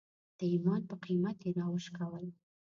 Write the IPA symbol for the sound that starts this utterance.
d̪̥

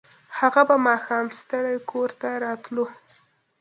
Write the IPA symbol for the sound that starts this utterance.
h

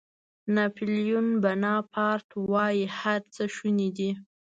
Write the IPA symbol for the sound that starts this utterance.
n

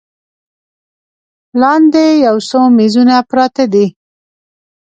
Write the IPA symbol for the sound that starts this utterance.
l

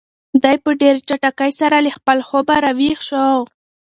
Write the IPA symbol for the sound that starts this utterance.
d̪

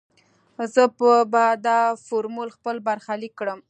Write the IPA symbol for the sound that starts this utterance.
z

